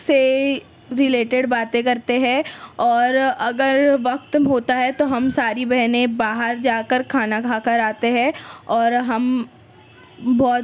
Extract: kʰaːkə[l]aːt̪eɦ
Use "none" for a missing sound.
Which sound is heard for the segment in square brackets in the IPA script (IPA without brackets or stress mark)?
ɾ